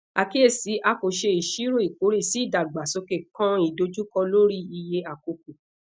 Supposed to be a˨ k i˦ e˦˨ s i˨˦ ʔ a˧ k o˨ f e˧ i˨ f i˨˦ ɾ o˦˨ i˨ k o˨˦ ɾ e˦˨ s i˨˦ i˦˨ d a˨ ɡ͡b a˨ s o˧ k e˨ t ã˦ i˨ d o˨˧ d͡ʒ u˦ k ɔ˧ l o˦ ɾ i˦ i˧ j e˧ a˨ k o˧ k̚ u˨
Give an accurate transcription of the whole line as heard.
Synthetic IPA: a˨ k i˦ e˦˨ s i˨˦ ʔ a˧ k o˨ ʃ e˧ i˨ ʃ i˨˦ ɾ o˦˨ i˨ k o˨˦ ɾ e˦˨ s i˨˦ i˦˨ d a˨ ɡ͡b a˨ s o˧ k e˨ k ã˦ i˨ d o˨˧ d͡ʒ u˦ k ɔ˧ l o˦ ɾ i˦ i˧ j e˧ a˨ k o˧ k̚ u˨